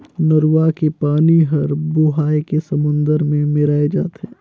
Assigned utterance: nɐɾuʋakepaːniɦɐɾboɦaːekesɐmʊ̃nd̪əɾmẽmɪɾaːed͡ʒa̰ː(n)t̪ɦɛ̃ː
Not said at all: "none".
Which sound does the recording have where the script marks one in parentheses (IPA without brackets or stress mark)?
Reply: none